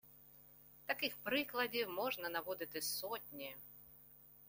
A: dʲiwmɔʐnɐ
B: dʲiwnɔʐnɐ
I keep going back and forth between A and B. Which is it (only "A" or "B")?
A